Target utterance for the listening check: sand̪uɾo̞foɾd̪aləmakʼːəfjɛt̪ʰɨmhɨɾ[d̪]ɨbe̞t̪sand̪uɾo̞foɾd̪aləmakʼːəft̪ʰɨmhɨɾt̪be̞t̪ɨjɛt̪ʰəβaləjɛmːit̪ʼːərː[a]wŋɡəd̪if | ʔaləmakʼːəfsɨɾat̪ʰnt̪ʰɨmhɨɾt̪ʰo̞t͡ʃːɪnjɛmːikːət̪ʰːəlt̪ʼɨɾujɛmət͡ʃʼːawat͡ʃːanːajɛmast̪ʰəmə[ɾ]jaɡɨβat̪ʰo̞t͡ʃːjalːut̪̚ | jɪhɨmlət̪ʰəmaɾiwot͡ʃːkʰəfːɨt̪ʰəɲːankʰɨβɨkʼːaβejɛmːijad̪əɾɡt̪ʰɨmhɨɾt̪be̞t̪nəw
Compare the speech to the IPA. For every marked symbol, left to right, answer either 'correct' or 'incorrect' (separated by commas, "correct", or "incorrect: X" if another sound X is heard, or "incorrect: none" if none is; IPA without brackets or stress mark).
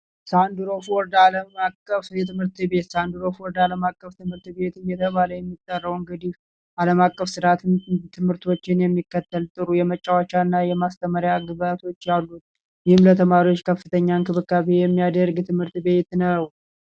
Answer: incorrect: t̪, incorrect: ə, correct